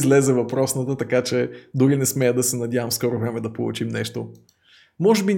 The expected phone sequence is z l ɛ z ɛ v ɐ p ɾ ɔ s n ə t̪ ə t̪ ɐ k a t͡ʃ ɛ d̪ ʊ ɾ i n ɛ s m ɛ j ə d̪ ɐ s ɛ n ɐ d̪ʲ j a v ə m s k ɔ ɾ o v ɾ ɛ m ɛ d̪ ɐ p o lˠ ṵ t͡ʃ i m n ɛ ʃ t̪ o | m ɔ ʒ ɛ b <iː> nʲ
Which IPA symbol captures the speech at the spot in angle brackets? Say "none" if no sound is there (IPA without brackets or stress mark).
i